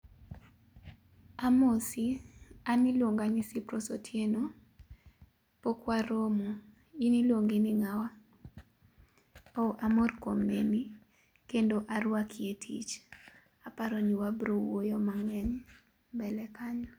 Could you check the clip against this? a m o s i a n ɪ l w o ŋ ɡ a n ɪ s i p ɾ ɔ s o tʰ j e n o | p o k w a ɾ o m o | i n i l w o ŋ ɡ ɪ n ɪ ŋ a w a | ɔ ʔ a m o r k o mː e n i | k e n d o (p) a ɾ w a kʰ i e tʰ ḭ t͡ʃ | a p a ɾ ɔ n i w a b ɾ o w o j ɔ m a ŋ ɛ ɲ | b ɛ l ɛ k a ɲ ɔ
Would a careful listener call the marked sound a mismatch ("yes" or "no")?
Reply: yes